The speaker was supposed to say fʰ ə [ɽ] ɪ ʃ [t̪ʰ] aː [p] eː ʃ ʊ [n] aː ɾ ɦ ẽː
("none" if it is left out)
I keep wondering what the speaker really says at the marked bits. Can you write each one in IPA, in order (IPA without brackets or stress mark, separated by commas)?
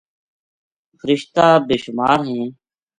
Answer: ɾ, t̪, b, m